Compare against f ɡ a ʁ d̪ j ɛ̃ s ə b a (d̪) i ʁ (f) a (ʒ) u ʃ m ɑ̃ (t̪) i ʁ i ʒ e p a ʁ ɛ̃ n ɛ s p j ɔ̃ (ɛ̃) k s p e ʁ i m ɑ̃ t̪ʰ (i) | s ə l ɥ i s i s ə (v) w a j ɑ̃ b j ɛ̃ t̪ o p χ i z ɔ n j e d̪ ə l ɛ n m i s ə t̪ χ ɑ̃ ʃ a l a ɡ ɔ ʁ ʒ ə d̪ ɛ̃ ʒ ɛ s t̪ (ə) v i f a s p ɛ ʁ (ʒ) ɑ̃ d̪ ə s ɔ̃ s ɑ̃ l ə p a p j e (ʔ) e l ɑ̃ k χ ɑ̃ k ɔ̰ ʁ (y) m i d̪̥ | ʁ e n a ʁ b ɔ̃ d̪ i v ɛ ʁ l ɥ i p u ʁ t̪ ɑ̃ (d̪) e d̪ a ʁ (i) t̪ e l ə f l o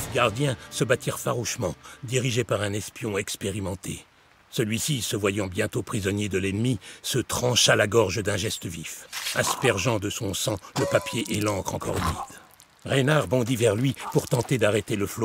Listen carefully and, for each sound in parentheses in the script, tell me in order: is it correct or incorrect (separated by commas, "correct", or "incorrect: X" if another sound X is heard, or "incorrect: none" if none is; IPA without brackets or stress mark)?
incorrect: t̪, correct, incorrect: ʁ, incorrect: d̪, incorrect: ɛ, incorrect: e, correct, correct, correct, correct, correct, incorrect: t̪, incorrect: e